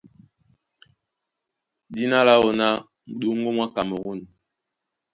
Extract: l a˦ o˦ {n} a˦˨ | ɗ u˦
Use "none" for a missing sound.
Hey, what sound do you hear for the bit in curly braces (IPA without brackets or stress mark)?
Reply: n